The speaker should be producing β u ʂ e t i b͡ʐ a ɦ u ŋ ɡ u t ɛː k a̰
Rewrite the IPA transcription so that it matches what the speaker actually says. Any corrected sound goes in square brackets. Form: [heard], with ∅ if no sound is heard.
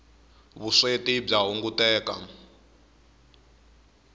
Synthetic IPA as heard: β u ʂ e t i b͡ʐ a ɦ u ŋ ɡ u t ɛː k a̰